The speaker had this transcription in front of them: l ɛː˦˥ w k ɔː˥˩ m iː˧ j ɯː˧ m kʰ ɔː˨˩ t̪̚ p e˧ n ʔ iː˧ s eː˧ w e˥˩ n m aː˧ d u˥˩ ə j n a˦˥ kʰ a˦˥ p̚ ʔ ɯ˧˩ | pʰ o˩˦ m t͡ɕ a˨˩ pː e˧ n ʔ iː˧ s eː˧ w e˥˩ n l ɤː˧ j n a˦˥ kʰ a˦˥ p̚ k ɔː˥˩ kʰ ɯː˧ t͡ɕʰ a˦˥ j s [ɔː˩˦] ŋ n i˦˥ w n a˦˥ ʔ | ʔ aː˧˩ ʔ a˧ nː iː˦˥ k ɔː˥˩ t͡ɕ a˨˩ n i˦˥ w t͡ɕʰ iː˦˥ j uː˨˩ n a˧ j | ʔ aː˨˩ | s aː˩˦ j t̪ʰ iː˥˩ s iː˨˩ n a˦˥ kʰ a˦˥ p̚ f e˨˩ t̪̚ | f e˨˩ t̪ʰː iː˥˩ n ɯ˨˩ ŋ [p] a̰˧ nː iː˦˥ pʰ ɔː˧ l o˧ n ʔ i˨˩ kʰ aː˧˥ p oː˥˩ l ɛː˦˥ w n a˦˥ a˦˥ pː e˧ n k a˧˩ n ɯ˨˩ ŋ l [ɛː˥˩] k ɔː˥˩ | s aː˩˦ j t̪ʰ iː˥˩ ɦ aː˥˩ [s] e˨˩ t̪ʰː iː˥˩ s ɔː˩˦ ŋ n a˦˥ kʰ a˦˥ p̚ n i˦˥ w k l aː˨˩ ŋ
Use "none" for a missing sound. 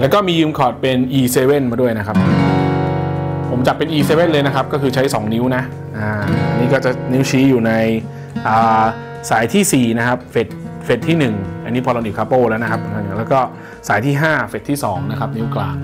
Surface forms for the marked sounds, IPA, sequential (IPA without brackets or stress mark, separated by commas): ɔː˩˦, ʔ, ɛː˦˥, f